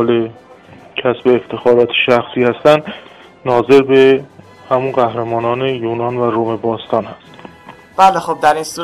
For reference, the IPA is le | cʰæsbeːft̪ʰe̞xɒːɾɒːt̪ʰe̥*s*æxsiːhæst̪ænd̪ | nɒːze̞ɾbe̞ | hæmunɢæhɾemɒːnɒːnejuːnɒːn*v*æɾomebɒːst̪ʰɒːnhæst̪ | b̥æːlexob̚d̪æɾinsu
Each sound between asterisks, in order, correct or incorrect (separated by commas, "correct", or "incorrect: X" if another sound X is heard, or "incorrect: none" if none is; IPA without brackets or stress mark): incorrect: ʃ, correct